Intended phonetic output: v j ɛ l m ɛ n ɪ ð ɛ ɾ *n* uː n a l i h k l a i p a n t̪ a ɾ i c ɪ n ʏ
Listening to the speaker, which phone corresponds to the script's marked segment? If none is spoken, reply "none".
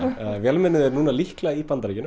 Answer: n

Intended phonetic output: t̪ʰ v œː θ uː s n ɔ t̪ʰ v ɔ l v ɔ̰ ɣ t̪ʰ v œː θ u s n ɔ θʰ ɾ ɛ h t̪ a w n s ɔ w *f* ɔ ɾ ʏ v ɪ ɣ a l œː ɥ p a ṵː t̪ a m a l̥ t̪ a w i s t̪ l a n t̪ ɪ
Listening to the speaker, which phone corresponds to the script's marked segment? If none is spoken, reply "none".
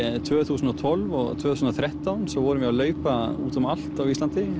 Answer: v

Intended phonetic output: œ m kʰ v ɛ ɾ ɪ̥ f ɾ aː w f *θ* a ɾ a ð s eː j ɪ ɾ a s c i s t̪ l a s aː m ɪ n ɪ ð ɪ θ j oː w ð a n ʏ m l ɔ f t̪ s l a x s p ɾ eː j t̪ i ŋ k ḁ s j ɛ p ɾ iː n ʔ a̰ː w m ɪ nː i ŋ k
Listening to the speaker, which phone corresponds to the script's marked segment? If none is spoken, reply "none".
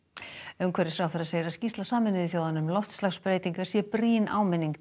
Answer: θ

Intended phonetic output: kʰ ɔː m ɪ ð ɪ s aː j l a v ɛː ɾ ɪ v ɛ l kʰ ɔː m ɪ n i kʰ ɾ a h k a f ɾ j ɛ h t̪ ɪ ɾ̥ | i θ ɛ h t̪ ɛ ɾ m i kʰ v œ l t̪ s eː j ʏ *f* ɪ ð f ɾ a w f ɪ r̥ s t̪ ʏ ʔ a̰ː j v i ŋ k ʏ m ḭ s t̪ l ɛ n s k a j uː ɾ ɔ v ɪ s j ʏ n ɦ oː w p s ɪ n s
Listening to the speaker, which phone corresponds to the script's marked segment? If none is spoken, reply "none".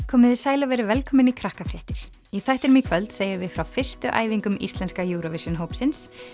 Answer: v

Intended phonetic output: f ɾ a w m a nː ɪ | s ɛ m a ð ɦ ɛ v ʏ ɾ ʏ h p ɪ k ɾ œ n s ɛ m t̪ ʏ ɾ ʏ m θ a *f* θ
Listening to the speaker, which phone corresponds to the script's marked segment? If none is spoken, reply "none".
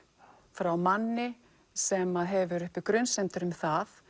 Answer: none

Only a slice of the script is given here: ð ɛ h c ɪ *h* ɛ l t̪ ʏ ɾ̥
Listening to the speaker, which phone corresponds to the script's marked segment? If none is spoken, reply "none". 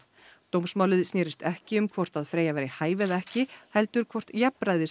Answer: h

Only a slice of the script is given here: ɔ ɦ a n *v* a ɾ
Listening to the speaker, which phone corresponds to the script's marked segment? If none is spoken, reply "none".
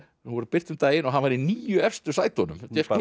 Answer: v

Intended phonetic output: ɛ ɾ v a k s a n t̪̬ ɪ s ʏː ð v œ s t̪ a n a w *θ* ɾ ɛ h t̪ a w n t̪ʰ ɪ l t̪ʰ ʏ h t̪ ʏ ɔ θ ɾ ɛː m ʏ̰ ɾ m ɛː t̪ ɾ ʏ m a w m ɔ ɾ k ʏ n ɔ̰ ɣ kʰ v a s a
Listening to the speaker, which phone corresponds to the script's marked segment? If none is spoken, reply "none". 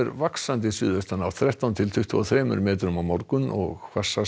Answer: θ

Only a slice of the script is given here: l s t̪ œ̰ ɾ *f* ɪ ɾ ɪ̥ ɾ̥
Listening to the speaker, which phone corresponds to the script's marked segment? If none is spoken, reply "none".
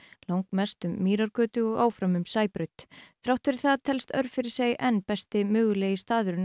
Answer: f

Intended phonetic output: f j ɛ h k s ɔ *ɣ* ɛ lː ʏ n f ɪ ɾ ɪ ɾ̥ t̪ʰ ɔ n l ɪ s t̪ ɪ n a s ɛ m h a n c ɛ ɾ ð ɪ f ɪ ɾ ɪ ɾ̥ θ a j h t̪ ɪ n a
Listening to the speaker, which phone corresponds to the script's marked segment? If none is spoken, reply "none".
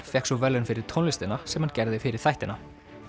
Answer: v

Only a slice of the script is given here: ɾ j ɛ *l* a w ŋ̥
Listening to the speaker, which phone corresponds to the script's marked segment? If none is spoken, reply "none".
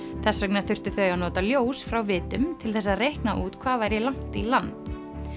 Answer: l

